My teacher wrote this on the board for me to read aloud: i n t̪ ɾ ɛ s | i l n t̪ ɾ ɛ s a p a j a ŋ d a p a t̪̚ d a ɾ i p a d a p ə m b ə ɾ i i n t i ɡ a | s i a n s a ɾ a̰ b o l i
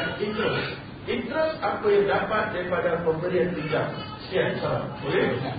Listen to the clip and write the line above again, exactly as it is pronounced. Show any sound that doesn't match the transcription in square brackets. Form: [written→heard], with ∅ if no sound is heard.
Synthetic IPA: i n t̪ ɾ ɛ s | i [l→∅] n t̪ ɾ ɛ s a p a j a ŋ d a p a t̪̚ d a ɾ i p a d a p ə m b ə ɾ i [i→a] n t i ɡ a | s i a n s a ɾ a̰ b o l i